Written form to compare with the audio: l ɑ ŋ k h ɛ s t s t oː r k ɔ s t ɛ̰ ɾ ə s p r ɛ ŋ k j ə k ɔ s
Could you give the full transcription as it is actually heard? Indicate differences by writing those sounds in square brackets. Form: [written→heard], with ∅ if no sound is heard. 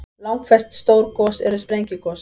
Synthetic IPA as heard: l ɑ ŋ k [h→f] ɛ s t s t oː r k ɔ s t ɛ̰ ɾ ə s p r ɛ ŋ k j ə k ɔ s